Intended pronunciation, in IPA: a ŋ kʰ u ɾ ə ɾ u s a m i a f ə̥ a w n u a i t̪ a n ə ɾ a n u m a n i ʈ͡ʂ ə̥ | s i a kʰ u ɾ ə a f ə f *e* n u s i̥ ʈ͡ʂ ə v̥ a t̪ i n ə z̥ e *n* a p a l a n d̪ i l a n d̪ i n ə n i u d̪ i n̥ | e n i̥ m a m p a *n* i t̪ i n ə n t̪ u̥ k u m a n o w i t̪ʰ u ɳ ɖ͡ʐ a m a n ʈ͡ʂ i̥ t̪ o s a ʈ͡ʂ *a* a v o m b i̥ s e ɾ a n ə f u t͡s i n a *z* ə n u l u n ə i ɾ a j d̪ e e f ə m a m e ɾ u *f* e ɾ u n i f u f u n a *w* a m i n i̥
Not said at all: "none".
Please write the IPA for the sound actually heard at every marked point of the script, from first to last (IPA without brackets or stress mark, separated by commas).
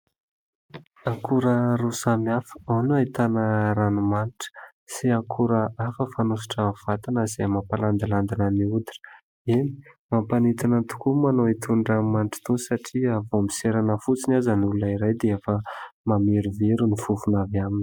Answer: a, m, n, i, z, v, v